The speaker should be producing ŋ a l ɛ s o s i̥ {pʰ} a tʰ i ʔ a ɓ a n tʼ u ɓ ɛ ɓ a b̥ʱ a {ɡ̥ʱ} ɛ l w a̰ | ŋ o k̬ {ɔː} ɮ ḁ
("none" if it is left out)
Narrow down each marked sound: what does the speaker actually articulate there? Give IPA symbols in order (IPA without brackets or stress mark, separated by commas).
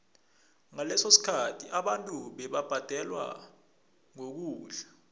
kʰ, d̥ʱ, uː